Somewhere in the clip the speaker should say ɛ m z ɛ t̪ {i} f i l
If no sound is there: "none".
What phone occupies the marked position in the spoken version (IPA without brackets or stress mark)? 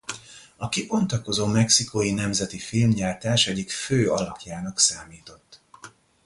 i